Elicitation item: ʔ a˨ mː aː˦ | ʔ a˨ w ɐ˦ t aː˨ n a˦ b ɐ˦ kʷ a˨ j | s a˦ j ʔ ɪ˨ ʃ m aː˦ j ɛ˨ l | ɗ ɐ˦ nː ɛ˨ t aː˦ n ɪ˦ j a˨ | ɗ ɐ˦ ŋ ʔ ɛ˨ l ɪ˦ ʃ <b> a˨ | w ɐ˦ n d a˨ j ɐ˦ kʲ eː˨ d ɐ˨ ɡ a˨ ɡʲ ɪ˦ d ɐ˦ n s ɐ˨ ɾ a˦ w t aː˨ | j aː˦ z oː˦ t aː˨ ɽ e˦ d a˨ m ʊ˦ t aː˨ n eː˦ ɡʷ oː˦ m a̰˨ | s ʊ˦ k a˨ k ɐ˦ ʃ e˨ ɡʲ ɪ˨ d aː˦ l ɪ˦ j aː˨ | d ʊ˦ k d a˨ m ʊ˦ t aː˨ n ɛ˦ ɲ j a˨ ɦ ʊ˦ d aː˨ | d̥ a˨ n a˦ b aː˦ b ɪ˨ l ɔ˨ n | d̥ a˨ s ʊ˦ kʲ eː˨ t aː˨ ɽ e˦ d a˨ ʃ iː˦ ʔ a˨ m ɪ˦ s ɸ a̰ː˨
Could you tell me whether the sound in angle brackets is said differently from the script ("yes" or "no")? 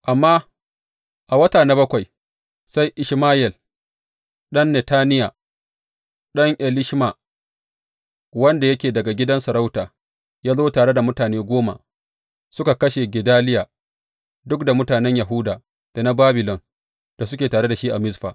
yes